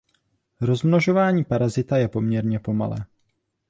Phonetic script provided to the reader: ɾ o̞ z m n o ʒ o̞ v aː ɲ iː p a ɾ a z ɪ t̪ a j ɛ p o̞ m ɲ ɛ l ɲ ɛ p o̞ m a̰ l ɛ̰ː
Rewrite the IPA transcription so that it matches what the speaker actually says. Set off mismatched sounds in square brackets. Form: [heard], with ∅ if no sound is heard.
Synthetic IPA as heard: ɾ o̞ z m n o ʒ o̞ v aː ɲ iː p a ɾ a z ɪ t̪ a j ɛ p o̞ m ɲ ɛ [ɾ] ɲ ɛ p o̞ m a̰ l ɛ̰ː